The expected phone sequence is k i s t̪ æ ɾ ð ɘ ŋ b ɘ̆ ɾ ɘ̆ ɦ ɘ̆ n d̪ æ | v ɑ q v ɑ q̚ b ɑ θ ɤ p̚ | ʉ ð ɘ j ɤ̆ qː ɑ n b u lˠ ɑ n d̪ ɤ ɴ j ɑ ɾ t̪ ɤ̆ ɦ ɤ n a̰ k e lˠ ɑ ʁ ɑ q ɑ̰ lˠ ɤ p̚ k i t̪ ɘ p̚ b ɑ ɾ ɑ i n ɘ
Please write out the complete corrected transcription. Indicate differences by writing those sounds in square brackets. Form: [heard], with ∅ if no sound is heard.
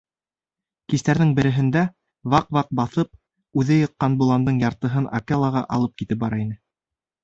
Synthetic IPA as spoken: k i s t̪ æ ɾ ð ɘ ŋ b ɘ̆ ɾ ɘ̆ ɦ ɘ̆ n d̪ æ | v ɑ q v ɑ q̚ b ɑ θ ɤ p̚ | ʉ ð ɘ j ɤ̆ qː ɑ n b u lˠ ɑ n d̪ ɤ ɴ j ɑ ɾ t̪ ɤ̆ ɦ ɤ n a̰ k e lˠ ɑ ʁ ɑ [ʔ] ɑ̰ lˠ ɤ p̚ k i t̪ ɘ p̚ b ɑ ɾ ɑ i n ɘ